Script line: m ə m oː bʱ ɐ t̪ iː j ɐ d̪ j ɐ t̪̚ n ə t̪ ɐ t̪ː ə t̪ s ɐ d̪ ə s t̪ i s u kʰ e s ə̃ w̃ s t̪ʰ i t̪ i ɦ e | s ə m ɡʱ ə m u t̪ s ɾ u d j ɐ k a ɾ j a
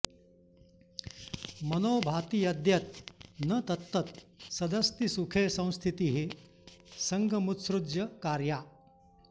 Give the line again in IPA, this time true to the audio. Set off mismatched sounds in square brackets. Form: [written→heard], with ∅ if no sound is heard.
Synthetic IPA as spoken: m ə [m→n] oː bʱ [ɐ→a] t̪ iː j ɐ d̪ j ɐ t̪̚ n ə t̪ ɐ t̪ː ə t̪ s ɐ d̪ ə s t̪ i s u kʰ e s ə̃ w̃ s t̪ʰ i t̪ i ɦ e | s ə [m→ŋ] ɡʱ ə m u t̪ s ɾ u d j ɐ k a ɾ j a